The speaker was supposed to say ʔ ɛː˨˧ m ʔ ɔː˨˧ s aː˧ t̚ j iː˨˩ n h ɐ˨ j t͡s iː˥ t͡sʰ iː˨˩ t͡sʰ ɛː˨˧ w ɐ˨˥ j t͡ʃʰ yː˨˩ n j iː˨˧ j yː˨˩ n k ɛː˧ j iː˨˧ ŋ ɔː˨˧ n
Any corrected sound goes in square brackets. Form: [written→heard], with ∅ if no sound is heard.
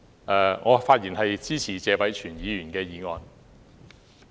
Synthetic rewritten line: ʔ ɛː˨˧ [m→ŋ] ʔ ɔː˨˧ [s→f] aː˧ t̚ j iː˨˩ n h ɐ˨ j t͡s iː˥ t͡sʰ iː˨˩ [t͡sʰ→t͡s] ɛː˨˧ w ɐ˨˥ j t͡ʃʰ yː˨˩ n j iː˨˧ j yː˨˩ n k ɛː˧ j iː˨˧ ŋ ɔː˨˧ n